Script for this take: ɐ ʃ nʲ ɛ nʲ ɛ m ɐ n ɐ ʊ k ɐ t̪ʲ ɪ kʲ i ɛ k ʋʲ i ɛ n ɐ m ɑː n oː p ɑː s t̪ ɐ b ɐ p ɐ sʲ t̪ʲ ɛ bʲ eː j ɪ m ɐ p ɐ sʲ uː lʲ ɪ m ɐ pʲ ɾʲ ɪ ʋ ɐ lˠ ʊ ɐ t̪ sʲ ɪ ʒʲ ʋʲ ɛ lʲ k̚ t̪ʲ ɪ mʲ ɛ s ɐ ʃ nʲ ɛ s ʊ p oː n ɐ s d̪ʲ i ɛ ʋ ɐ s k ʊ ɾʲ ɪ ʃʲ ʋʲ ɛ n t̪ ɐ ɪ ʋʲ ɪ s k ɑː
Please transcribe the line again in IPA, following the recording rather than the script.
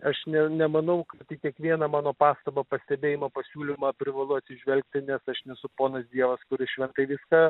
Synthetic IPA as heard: ɐ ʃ nʲ ɛ nʲ ɛ m ɐ n ɐ ʊ k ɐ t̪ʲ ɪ kʲ i ɛ k ʋʲ i ɛ n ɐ m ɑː n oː p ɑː s t̪ ɐ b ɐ p ɐ sʲ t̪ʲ ɛ bʲ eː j ɪ m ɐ p ɐ sʲ uː lʲ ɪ m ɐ pʲ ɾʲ ɪ ʋ ɐ lˠ ʊ ɐ t̪ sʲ ɪ ʒʲ ʋʲ ɛ lʲ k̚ t̪ʲ ɪ nʲ ɛ s ɐ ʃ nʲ ɛ s ʊ p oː n ɐ s d̪ʲ i ɛ ʋ ɐ s k ʊ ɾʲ ɪ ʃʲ ʋʲ ɛ n t̪ ɐ ɪ ʋʲ ɪ s k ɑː